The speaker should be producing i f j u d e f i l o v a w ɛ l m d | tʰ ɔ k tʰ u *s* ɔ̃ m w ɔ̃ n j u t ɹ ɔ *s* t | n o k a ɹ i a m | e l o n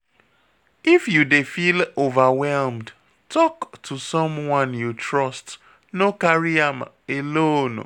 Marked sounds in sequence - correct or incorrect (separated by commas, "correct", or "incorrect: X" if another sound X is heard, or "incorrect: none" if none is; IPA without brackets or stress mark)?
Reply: correct, correct